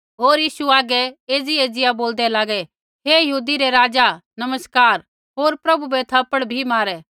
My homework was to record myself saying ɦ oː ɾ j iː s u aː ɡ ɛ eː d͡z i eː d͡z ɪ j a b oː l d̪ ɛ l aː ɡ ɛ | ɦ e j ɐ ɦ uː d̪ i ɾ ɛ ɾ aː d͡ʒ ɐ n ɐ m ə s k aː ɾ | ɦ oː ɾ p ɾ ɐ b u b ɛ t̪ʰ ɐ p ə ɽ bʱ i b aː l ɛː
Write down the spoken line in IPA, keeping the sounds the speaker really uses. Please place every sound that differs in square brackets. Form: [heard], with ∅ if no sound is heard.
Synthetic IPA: ɦ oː ɾ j iː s u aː ɡ ɛ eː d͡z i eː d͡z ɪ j a b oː l d̪ ɛ l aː ɡ ɛ | ɦ e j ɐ ɦ uː d̪ i ɾ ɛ ɾ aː d͡ʒ [a] n ɐ m ə s k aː ɾ | ɦ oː ɾ p ɾ ɐ b u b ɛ t̪ʰ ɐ p ə ɽ bʱ i [m] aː [ɾ] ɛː

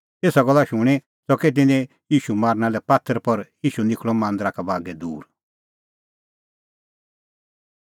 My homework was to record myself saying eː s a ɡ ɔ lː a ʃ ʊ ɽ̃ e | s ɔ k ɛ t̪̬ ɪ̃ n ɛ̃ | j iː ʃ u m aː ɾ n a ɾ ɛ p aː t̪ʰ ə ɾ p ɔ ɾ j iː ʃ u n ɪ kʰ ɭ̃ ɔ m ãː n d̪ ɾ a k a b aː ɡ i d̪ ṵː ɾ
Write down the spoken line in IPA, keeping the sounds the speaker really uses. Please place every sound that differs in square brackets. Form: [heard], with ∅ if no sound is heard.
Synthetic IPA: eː s a ɡ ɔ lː a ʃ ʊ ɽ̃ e | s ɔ k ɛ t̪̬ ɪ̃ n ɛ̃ | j iː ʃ u m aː ɾ n a [l] ɛ p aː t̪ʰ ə ɾ p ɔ ɾ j iː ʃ u n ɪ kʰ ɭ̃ ɔ m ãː n d̪ ɾ a k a b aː ɡ [ɛ] d̪ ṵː ɾ

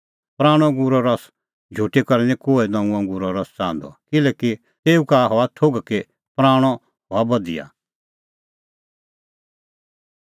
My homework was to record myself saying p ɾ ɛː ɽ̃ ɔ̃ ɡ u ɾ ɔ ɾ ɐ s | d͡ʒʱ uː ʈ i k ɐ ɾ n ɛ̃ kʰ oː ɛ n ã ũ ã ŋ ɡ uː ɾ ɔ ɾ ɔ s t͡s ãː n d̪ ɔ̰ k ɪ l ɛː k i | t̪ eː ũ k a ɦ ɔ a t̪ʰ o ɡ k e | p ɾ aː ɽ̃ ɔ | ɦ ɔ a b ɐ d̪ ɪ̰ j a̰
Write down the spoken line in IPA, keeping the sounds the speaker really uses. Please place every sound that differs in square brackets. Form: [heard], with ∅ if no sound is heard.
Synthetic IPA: p ɾ [aː] ɽ̃ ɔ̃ ɡ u ɾ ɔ ɾ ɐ s | d͡ʒʱ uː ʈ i k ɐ ɾ n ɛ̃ [k] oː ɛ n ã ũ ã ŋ ɡ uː ɾ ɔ ɾ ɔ s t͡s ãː n d̪ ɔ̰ k ɪ l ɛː k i | t̪ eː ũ k a ɦ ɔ a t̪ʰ o ɡ k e | p ɾ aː ɽ̃ ɔ | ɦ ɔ a b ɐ d̪ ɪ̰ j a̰

